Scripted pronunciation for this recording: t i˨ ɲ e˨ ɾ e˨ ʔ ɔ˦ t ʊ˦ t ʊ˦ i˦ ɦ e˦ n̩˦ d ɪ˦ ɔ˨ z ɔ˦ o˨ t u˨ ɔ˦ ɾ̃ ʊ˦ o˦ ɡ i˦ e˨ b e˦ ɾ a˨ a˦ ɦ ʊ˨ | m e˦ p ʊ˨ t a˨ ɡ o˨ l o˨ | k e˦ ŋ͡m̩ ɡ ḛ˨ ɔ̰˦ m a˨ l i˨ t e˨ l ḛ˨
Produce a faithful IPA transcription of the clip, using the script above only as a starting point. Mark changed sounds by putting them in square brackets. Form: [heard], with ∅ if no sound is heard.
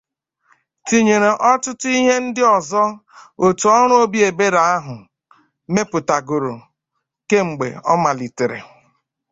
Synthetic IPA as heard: t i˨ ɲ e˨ ɾ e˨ ʔ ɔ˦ t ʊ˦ t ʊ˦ i˦ ɦ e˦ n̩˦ d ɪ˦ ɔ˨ z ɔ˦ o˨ t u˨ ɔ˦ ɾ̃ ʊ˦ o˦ [b] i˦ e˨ b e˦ ɾ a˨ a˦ ɦ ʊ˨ | m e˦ p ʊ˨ t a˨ ɡ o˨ [ɾ] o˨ | k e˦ ŋ͡m̩ [ɡ͡b] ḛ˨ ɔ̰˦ m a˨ l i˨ t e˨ [ɾ] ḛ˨